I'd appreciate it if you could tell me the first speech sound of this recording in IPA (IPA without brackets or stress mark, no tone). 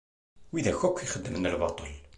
w